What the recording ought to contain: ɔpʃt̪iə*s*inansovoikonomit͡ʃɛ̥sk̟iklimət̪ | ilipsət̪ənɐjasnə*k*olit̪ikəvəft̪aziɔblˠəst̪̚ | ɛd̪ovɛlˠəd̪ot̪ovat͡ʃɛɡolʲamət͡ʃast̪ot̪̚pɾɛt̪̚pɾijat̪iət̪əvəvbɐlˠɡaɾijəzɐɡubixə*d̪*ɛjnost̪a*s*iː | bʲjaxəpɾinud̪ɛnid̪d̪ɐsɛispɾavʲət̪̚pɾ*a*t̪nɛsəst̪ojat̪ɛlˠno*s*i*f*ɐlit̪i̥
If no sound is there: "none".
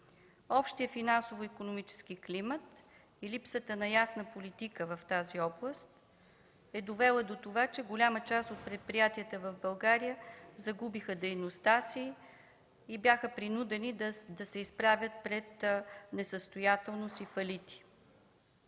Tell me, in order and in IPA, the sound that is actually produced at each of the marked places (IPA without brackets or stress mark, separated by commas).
f, p, d̪, s, ɛ, s, f